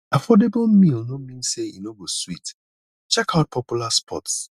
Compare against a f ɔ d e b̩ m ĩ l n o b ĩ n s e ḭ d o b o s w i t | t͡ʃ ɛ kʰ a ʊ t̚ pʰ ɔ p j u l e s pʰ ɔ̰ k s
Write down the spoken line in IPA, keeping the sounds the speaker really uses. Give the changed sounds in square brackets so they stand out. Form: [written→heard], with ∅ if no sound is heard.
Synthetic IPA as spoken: a f ɔ d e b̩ m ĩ l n o [b→m] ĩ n s e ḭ [d→n] o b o s w i t | t͡ʃ ɛ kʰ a ʊ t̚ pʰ ɔ p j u l [e→a] s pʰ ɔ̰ [k→t] s